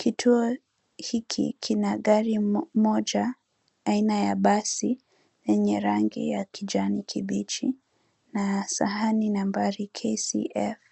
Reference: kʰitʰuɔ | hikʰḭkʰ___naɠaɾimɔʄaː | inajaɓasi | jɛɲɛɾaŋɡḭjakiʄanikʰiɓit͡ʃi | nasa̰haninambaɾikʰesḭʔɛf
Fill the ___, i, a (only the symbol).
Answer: i